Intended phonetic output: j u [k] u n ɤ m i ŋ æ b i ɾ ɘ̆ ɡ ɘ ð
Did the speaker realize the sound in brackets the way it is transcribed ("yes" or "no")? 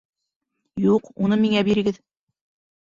no